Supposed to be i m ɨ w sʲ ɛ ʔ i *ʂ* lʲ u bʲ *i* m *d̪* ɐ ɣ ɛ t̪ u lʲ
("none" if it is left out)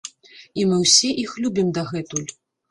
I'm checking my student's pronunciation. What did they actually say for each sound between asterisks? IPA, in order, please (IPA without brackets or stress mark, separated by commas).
x, i, d̪